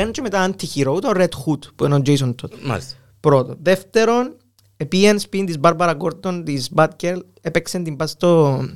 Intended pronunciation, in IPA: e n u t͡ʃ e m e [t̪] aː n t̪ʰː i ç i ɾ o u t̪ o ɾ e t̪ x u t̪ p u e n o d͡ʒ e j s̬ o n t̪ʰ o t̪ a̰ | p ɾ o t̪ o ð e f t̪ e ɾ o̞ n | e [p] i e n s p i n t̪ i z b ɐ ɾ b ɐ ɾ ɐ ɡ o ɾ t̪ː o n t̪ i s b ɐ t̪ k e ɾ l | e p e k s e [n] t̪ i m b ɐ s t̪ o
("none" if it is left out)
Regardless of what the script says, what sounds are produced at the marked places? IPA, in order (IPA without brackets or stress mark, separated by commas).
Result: t̪, p, n